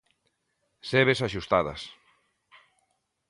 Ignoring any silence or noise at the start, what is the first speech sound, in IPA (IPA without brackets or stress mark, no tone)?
s